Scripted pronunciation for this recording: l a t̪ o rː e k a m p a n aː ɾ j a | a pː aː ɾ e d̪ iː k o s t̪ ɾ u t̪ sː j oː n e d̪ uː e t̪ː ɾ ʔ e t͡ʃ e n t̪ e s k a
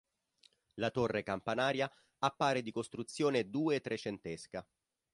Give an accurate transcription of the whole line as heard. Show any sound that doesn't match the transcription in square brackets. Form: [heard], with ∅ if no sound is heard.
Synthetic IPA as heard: l a t̪ o rː e k a m p a n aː ɾ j a | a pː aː ɾ e d̪ [i] k o s t̪ ɾ u t̪ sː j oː n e d̪ uː e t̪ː ɾ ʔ e t͡ʃ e n t̪ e s k a